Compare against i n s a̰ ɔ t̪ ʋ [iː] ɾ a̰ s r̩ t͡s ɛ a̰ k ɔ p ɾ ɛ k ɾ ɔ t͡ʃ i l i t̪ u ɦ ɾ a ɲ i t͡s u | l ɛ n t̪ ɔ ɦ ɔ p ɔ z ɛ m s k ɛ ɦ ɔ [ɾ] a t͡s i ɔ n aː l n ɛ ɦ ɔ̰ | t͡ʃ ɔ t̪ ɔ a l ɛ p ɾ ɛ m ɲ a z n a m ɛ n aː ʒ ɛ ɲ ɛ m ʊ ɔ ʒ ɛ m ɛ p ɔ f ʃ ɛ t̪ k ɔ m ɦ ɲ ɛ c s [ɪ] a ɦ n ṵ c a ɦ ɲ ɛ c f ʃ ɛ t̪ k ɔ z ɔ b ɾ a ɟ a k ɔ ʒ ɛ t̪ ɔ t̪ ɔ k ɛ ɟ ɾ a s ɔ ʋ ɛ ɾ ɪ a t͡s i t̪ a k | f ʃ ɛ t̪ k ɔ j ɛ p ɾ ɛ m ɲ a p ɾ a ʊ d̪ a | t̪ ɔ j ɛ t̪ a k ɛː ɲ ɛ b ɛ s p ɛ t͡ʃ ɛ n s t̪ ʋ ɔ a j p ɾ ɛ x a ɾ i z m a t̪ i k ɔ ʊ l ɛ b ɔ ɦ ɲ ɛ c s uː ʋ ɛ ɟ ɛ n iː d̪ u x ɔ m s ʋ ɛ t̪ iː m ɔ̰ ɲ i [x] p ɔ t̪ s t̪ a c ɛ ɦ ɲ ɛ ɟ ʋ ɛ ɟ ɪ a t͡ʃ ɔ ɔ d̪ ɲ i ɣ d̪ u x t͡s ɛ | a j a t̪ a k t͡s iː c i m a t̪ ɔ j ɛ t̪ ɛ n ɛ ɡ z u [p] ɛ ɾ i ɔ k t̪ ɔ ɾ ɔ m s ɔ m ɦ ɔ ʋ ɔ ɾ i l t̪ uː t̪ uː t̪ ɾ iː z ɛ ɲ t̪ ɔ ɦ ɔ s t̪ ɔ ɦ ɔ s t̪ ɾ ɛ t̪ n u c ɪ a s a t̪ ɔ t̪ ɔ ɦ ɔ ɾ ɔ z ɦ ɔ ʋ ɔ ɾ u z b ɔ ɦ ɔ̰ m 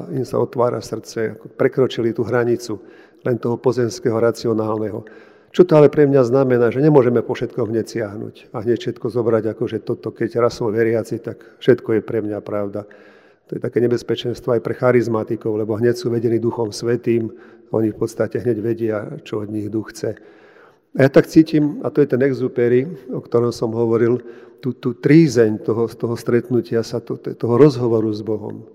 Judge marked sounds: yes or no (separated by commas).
no, yes, yes, no, yes